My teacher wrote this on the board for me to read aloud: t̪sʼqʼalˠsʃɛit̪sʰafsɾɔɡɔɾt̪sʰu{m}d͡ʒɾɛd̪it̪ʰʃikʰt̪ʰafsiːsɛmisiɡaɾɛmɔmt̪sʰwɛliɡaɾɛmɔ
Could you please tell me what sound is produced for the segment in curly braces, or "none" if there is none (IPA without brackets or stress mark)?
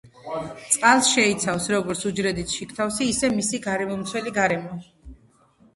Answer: none